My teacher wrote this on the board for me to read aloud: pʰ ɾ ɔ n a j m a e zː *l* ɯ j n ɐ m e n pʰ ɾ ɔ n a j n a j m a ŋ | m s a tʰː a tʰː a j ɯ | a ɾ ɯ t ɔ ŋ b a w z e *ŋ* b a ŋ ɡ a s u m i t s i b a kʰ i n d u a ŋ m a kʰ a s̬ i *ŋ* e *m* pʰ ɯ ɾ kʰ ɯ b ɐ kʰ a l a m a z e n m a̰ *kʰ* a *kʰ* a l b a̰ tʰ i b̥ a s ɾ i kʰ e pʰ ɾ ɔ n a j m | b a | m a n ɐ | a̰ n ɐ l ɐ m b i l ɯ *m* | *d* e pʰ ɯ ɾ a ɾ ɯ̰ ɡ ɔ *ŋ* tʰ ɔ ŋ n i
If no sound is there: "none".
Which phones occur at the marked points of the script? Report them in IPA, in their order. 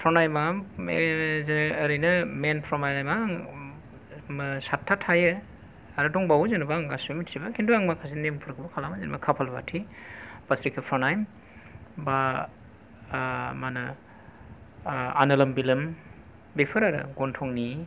ɾ, n, n, m, kʰ, pʰ, m, b, n

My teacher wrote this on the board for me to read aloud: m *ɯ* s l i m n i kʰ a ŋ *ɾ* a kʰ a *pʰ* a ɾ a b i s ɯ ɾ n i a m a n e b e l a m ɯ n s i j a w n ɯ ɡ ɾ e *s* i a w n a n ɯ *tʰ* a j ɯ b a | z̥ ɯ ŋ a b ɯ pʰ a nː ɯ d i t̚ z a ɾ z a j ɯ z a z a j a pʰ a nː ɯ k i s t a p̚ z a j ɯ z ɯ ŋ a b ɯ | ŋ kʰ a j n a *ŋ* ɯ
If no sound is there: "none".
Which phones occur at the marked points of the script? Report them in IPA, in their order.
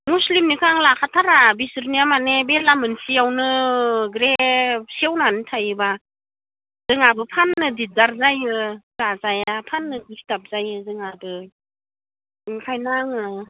u, l, tʰ, s, tʰ, ŋ

